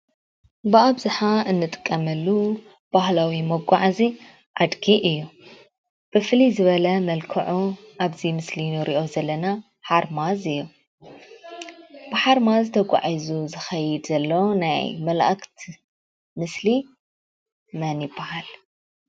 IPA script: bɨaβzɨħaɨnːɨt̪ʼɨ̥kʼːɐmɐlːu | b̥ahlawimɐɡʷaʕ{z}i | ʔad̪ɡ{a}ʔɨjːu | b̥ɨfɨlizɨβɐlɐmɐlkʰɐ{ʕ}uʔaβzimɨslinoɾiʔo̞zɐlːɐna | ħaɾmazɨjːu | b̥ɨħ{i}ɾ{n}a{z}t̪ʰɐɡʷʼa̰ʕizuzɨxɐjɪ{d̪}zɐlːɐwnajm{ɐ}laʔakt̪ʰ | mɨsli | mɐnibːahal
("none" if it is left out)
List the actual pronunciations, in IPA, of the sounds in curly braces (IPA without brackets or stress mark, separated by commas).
z, i, ʕ, a, m, z, d̪, ɐ